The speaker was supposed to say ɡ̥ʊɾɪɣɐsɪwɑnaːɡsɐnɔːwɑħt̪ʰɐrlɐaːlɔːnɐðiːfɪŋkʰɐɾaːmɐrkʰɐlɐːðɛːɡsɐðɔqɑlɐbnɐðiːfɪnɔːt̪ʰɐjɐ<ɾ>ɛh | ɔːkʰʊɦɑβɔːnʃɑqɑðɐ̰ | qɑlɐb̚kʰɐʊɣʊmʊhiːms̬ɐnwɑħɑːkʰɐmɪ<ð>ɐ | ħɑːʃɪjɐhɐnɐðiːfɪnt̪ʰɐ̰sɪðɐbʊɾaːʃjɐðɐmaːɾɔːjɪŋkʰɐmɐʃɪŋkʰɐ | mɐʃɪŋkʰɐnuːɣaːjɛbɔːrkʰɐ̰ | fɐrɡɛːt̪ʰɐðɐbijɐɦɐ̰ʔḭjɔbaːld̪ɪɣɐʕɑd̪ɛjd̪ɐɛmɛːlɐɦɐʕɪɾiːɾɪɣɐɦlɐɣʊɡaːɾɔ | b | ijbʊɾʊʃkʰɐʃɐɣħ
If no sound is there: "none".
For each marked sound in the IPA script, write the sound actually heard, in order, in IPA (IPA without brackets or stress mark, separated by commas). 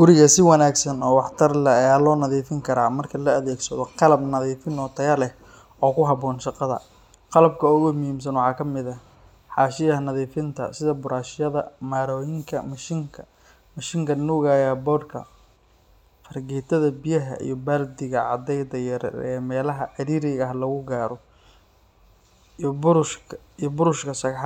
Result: l, ð